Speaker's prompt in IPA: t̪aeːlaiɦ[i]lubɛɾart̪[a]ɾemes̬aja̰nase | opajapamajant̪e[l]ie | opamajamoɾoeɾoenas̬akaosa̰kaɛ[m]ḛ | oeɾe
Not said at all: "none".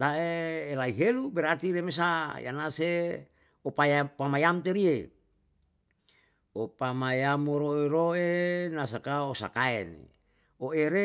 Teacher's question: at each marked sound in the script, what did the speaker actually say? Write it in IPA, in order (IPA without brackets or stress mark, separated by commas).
e, i, ɾ, n